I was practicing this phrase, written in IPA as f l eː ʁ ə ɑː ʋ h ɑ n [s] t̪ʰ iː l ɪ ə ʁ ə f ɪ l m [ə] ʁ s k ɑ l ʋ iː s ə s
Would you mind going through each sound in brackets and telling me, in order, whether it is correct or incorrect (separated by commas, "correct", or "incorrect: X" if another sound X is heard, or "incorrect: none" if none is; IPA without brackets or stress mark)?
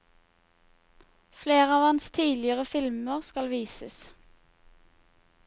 correct, correct